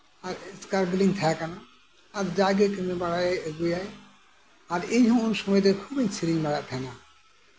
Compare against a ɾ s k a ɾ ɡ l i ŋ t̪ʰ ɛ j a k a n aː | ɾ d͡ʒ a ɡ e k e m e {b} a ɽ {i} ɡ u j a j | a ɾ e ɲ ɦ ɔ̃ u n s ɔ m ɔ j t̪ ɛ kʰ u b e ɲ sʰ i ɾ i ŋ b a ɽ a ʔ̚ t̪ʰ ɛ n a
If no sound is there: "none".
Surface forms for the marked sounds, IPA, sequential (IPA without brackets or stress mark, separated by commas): b, a